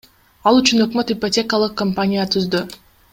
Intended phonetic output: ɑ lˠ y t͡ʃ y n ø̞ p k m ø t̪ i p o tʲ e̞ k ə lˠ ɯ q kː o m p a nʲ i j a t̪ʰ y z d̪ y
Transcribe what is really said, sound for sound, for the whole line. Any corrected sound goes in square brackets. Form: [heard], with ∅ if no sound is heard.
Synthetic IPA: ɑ lˠ y t͡ʃ y n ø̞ [∅] k m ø t̪ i p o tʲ e̞ k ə lˠ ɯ q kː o m p a nʲ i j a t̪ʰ y z d̪ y